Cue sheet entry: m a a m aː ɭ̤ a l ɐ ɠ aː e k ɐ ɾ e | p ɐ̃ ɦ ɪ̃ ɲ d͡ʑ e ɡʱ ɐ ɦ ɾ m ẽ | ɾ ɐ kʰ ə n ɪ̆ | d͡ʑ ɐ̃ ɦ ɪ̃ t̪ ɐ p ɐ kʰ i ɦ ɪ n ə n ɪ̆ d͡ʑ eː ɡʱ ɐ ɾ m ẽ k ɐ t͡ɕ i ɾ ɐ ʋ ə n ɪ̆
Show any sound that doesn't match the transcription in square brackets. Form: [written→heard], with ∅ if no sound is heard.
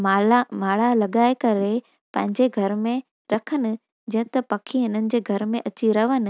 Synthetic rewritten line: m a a m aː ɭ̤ a l ɐ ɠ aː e k ɐ ɾ e | p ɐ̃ ɦ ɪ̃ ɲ d͡ʑ e ɡʱ ɐ [ɦ→∅] ɾ m ẽ | ɾ ɐ kʰ ə n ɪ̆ | d͡ʑ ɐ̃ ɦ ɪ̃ t̪ ɐ p ɐ kʰ i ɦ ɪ n ə n ɪ̆ d͡ʑ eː ɡʱ ɐ ɾ m ẽ [k→ʔ] ɐ t͡ɕ i ɾ ɐ ʋ ə n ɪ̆